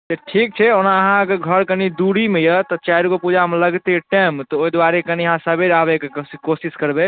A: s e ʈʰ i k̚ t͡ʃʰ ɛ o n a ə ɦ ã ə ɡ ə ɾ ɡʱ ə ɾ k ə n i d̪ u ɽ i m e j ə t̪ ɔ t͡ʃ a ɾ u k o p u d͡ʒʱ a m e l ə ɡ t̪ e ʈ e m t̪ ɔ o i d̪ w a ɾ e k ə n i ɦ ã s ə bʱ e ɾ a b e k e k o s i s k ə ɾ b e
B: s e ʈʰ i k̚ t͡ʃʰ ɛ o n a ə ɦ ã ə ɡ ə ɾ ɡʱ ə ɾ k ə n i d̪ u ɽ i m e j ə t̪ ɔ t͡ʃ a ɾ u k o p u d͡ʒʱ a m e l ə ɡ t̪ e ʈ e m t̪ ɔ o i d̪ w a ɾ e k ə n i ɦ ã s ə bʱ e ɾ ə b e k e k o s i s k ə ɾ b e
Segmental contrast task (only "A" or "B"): A